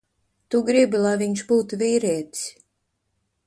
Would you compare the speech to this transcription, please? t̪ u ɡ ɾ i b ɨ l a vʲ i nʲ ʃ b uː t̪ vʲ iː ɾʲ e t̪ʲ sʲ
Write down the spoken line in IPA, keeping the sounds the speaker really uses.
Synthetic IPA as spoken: t̪ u ɡ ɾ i b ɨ l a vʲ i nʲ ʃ b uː t̪ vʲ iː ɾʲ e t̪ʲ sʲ